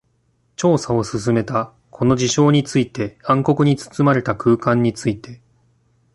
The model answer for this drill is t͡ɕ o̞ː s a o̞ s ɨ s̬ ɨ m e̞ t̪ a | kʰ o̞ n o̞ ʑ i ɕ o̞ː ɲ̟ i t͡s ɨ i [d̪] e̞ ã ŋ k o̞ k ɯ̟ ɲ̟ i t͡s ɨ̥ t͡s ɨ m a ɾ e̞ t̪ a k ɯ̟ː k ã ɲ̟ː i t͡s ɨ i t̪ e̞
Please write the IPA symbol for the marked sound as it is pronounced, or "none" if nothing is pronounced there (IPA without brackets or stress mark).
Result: t̪